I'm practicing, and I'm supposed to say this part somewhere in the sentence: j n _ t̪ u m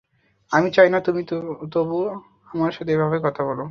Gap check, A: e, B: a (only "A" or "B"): B